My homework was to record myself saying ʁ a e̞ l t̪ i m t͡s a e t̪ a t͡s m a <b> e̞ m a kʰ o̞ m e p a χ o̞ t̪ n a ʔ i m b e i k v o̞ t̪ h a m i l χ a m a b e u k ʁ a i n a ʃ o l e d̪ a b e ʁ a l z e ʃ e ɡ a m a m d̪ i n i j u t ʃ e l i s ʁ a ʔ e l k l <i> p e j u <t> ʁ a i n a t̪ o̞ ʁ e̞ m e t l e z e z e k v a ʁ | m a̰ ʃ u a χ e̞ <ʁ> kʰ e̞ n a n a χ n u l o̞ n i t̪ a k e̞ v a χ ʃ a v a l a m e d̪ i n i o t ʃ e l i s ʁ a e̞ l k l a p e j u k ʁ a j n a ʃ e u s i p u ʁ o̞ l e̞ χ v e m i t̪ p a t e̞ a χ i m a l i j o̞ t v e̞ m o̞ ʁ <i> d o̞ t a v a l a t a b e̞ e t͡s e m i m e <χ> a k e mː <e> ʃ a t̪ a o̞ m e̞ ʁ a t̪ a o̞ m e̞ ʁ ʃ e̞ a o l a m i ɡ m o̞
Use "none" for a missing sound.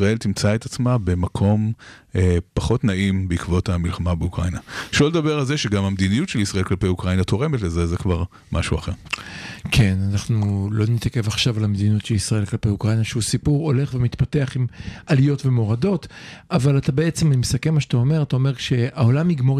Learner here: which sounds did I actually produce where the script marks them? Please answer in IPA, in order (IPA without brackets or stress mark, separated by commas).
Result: b, a, k, ʁ, a, s, a